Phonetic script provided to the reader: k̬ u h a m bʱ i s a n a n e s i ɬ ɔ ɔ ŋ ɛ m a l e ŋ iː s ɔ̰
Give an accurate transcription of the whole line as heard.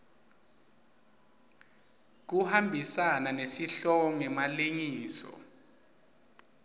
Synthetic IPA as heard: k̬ u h a m bʱ i s a n a n e s i ɬ ɔ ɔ ŋ ɛ m a l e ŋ iː s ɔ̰